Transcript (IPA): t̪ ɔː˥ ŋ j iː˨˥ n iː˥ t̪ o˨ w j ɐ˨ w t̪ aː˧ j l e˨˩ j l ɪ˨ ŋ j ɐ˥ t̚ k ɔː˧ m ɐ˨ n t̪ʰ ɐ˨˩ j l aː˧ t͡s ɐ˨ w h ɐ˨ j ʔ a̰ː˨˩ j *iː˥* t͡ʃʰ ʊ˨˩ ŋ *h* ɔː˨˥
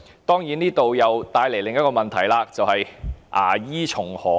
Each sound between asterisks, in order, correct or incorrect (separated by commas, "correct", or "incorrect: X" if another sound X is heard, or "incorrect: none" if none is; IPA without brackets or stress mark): correct, correct